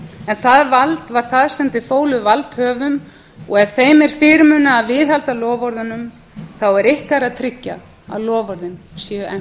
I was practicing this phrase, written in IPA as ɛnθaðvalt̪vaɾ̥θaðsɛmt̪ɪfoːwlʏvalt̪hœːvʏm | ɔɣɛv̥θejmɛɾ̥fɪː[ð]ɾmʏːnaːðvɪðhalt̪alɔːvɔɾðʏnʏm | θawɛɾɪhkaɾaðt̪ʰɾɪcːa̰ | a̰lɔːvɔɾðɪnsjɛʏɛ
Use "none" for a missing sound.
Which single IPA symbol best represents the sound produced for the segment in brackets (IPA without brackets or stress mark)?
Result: none